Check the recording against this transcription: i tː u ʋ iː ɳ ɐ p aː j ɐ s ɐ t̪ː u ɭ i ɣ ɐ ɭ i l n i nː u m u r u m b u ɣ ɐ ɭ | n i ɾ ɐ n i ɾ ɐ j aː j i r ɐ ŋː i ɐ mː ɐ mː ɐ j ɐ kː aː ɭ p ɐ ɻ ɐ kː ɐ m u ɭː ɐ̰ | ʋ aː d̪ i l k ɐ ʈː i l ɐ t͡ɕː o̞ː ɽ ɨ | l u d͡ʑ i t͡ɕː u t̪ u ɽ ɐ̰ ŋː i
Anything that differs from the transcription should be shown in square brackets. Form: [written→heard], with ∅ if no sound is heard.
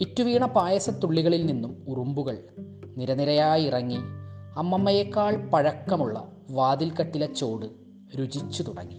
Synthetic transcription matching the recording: i tː u ʋ iː ɳ ɐ p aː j ɐ s ɐ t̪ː u [ɭ→ɭː] i ɣ ɐ ɭ i l n i nː u m u r u m b u ɣ ɐ ɭ | n i ɾ ɐ n i ɾ ɐ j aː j i r ɐ ŋː i ɐ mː ɐ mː ɐ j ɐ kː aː ɭ p ɐ ɻ ɐ kː ɐ m u ɭː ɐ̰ | ʋ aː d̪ i l k ɐ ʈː i l ɐ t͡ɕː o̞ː ɽ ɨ | [l→ɾ] u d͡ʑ i t͡ɕː u t̪ u ɽ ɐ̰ ŋː i